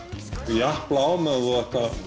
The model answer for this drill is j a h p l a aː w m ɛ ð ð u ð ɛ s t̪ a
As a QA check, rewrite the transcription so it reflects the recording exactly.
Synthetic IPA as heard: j a h p l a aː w m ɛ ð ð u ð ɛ h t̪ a